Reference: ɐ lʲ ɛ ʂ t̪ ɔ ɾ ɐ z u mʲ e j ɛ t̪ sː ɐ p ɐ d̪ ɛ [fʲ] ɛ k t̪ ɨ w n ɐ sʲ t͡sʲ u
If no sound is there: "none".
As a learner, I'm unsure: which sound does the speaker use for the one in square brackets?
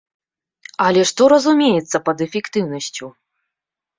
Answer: fʲ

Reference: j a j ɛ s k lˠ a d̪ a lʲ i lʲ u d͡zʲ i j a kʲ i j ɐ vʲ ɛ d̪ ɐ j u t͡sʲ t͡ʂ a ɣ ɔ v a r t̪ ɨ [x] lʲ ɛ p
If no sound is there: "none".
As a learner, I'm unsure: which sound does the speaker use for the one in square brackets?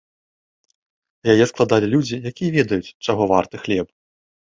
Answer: x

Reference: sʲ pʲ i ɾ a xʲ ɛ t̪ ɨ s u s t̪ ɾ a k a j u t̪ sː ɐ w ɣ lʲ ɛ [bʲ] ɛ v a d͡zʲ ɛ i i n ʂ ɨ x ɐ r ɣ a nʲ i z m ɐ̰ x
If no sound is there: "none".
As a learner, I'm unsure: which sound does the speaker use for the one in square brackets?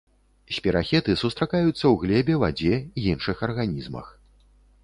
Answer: bʲ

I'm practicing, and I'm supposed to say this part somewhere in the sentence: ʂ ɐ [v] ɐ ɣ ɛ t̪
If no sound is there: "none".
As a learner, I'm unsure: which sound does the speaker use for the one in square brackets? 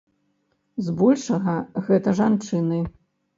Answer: ɣ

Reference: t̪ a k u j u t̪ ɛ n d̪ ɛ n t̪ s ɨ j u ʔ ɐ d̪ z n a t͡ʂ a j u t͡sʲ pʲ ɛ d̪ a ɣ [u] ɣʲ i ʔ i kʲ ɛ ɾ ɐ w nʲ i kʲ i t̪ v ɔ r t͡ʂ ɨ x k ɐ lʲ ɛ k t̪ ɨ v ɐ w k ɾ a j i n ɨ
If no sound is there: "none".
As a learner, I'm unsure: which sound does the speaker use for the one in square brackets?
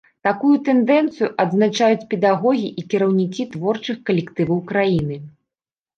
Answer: ɔ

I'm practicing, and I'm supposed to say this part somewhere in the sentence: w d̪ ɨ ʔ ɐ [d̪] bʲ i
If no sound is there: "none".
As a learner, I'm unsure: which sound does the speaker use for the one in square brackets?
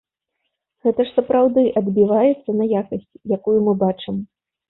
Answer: d̪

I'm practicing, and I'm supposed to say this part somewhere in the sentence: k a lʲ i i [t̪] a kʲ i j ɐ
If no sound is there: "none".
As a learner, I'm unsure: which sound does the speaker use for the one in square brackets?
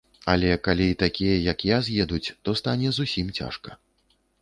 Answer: t̪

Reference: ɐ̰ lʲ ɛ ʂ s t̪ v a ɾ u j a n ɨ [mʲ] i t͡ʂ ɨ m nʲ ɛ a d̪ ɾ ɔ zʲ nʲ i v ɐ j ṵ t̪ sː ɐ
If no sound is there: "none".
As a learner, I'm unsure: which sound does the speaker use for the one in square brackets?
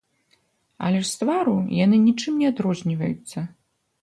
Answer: nʲ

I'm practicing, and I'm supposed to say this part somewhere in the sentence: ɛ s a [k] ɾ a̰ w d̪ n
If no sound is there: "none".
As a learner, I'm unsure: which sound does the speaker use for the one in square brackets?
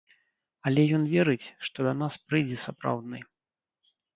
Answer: p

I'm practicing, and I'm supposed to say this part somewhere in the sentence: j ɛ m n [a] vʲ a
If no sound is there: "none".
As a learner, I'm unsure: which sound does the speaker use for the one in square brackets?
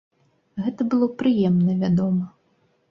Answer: ɐ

